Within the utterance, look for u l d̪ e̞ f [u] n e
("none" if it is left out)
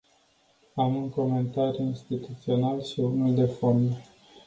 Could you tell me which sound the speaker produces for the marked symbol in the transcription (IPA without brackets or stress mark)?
o